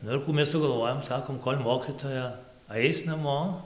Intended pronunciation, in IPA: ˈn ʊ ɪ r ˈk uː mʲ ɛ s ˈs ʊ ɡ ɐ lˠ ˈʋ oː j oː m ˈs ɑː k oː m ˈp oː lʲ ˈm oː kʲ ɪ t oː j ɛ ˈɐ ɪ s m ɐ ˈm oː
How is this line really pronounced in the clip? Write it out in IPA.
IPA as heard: ˈn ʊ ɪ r ˈk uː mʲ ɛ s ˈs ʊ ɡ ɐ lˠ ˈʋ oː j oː m ˈs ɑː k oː m ˈk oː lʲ ˈm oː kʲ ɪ t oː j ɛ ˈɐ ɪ s n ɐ ˈm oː